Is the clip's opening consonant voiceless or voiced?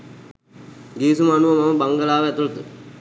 voiced